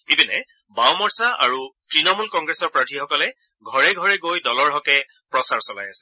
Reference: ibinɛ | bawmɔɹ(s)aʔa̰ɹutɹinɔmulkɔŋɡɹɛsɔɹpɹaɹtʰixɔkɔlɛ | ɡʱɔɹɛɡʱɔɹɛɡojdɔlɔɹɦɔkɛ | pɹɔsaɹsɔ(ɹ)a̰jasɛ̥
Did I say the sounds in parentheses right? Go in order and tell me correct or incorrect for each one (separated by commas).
correct, incorrect